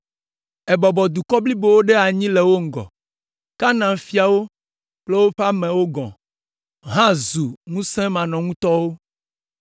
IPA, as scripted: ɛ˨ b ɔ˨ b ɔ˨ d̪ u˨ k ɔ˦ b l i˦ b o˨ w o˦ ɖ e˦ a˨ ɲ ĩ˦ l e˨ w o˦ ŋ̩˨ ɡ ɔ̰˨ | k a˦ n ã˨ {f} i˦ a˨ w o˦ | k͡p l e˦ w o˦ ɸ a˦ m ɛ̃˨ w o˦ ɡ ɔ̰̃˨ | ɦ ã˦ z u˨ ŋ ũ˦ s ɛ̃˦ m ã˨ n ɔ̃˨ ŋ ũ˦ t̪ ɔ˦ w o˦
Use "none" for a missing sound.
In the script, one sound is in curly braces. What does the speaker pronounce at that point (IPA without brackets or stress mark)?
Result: f